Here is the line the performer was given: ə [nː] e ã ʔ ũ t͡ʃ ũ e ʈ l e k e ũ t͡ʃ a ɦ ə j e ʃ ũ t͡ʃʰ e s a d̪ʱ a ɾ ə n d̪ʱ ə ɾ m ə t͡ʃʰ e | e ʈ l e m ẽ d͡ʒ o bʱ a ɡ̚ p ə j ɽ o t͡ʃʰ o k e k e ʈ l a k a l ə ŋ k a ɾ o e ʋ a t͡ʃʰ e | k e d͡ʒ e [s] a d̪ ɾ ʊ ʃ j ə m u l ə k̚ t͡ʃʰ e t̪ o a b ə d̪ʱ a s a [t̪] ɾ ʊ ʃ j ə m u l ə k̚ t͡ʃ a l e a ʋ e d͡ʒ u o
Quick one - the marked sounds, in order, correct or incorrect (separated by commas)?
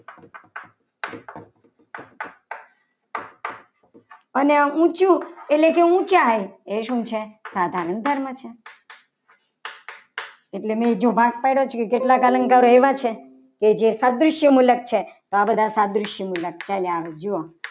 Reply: incorrect, correct, incorrect